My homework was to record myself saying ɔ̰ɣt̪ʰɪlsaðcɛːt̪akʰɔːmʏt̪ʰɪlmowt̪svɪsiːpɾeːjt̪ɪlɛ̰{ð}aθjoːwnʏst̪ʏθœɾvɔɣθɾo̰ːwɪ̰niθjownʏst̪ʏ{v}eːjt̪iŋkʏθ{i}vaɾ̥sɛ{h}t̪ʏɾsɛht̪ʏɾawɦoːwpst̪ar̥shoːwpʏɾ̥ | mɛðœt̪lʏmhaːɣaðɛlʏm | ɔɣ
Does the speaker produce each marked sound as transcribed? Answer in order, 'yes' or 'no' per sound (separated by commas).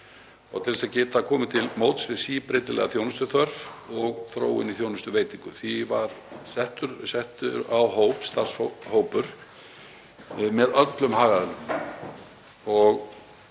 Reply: no, yes, yes, yes